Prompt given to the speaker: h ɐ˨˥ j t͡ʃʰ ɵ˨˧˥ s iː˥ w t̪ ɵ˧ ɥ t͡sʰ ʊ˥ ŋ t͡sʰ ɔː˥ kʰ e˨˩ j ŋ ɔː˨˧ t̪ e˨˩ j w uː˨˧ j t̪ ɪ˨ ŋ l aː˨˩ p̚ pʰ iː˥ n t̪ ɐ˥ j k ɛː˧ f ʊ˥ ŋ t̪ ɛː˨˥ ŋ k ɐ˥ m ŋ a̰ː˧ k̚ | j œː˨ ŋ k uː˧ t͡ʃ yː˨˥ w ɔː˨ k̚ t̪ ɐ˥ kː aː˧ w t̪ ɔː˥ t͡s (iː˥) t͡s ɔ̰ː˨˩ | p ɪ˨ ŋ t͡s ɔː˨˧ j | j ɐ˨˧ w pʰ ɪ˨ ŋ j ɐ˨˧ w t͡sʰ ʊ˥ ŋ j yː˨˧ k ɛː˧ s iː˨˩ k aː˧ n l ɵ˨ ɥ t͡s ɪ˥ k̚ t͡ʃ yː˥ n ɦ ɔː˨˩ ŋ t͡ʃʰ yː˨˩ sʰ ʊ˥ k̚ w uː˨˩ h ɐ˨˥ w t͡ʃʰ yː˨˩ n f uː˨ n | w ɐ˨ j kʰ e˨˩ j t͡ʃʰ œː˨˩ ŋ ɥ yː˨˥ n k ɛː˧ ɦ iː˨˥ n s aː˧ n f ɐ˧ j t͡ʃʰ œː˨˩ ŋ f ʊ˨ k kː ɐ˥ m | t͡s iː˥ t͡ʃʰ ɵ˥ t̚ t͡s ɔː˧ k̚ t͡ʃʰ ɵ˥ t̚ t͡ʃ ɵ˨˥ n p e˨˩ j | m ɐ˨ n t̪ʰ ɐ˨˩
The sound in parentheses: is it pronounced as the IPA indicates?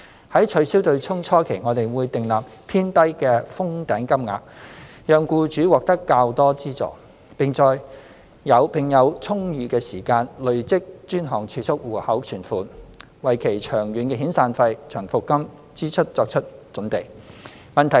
yes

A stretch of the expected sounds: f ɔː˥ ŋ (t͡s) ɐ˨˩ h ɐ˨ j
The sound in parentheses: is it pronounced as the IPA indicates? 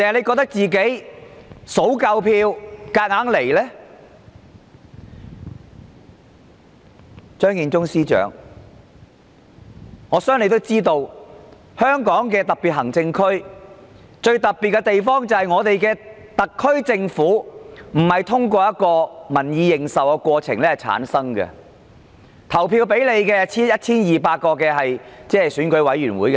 yes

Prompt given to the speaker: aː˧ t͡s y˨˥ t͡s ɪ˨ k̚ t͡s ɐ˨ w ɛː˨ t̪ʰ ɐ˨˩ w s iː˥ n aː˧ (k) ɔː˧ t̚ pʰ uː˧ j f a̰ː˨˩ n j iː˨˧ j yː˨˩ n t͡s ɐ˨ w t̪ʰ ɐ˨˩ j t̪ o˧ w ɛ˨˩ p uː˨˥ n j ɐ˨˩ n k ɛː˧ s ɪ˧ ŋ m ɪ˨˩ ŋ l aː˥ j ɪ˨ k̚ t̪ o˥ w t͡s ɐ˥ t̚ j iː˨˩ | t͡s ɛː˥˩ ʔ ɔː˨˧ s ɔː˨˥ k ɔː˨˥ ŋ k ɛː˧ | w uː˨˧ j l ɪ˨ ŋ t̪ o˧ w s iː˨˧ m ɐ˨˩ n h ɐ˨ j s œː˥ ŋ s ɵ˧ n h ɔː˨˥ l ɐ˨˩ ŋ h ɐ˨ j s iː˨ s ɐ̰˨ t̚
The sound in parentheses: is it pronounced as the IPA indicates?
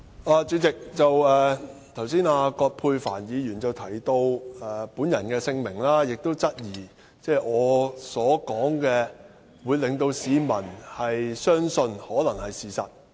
yes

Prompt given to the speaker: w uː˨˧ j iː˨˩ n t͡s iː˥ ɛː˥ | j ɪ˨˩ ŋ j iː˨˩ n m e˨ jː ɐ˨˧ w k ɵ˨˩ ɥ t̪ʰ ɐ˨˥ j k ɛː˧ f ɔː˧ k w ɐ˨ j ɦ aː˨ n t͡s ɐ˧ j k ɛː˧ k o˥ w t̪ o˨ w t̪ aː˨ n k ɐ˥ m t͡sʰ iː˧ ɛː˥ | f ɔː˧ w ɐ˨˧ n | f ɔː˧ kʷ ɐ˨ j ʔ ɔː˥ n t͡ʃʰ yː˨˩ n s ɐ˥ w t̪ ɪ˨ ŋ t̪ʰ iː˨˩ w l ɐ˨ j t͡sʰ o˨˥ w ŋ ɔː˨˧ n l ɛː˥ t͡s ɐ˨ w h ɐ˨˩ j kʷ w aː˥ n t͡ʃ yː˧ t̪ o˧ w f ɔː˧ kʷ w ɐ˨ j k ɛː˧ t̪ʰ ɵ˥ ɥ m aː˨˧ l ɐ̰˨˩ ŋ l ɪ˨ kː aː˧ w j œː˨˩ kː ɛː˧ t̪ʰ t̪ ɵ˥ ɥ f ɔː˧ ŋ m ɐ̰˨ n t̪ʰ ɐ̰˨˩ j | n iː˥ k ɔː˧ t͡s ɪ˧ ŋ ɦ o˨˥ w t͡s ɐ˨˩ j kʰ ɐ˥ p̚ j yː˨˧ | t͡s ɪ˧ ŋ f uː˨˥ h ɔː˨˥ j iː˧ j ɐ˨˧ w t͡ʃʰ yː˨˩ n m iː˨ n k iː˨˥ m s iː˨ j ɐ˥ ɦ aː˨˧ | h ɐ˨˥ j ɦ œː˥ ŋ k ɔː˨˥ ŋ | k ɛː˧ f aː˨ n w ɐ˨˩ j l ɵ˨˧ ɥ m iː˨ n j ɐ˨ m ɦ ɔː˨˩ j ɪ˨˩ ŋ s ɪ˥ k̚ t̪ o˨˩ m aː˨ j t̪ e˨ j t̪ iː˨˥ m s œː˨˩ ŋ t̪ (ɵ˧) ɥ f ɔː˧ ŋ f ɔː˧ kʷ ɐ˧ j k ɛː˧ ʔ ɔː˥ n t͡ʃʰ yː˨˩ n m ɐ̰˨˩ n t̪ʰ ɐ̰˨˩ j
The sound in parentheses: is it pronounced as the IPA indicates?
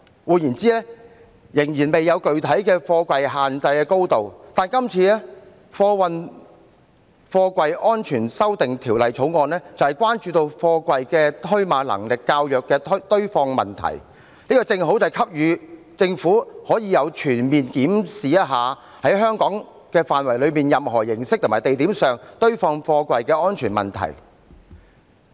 no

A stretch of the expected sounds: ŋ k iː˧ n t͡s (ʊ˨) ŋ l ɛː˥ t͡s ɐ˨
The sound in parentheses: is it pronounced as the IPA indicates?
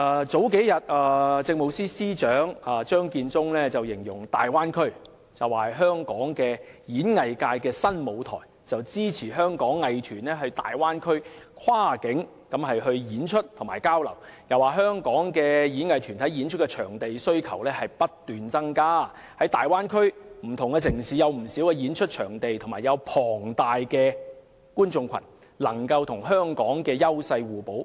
no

